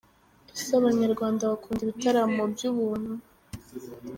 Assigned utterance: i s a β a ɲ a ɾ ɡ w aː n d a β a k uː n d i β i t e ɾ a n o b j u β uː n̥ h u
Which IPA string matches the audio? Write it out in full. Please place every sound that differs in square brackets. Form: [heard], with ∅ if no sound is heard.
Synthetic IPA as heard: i s a β a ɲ a ɾ ɡ w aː n d a β a k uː n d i β i t [a] ɾ a [m] o b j u β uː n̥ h u